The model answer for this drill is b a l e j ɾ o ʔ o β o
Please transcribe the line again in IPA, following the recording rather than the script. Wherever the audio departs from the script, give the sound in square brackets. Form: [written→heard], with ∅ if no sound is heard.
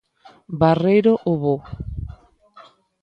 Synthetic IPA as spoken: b a [l→r] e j ɾ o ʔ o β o